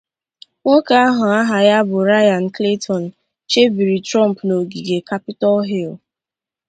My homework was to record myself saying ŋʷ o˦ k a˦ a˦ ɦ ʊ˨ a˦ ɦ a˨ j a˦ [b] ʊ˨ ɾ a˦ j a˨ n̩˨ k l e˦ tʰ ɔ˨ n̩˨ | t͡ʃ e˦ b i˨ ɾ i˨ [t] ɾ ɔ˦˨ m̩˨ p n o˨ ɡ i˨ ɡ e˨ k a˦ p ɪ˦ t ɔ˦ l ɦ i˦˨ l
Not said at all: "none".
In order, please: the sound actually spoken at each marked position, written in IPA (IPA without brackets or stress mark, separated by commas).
b, t